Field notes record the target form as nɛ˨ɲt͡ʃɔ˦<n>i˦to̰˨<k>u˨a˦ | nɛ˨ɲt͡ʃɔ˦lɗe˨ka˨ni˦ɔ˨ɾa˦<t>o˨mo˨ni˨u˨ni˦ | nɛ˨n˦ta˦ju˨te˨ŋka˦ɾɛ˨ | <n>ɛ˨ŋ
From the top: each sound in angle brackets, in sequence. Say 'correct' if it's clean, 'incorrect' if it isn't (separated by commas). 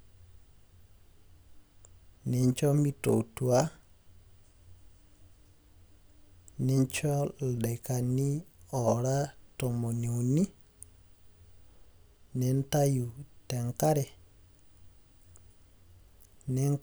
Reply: incorrect, incorrect, correct, correct